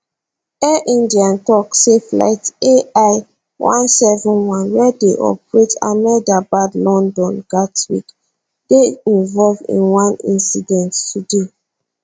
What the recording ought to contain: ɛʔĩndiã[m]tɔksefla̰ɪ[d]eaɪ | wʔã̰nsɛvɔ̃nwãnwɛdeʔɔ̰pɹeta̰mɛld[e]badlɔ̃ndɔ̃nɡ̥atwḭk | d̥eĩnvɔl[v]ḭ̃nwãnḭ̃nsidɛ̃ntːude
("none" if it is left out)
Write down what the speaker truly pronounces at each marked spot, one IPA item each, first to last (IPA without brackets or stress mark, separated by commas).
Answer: n, t, a, v